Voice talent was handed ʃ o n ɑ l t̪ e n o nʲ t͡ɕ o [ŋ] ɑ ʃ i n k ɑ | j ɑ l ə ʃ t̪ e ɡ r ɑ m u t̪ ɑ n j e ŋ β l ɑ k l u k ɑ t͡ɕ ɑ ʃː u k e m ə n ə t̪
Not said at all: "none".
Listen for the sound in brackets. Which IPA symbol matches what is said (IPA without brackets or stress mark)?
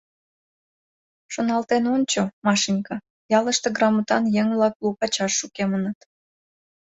m